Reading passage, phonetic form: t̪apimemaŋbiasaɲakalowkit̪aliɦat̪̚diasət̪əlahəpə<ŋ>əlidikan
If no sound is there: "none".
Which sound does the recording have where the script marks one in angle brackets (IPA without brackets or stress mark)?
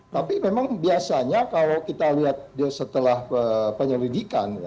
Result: ɲ